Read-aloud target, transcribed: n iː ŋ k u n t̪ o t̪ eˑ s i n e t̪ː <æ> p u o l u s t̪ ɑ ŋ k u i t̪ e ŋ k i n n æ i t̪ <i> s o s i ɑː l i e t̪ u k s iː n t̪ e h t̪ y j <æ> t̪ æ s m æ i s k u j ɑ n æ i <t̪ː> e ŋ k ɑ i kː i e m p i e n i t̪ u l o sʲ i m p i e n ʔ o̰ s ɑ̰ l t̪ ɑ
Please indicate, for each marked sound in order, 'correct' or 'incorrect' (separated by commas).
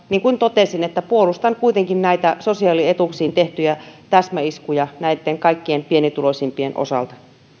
correct, incorrect, correct, correct